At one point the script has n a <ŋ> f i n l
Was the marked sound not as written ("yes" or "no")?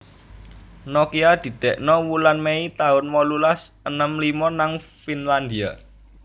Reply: no